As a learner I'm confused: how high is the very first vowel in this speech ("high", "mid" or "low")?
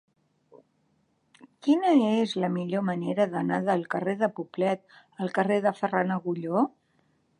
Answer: high